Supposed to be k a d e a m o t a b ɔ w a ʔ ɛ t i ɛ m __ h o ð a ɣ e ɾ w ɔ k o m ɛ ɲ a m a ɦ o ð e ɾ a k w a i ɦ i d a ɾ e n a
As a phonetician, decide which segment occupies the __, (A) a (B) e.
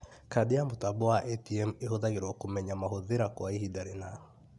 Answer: B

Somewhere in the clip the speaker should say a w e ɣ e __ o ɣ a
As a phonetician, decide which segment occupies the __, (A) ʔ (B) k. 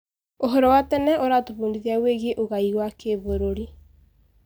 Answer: A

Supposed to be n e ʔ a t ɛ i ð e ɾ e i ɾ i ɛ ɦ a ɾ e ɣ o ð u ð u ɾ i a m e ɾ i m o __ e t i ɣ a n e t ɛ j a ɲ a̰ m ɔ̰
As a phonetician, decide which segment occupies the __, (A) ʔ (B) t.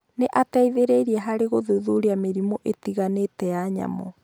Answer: A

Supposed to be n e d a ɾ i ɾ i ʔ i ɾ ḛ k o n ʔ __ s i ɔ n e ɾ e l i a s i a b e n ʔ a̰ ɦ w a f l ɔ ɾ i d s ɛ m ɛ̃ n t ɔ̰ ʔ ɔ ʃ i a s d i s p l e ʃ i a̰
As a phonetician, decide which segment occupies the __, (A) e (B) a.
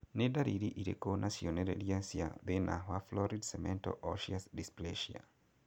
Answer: B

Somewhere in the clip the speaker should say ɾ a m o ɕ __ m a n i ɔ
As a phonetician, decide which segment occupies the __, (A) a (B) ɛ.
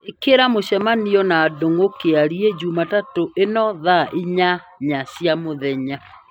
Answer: B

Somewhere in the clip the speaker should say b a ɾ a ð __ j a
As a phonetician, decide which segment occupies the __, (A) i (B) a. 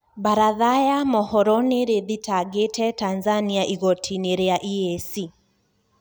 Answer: B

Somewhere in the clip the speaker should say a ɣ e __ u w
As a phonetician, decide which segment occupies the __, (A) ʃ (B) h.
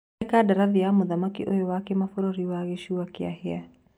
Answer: A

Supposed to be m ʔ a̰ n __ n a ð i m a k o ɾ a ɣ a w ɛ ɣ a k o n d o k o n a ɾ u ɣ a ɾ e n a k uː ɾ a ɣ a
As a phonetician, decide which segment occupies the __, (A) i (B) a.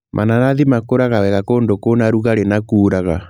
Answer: B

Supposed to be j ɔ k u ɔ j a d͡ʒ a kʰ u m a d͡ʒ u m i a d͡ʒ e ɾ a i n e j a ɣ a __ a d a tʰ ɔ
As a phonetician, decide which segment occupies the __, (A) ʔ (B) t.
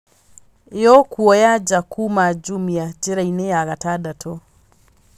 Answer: B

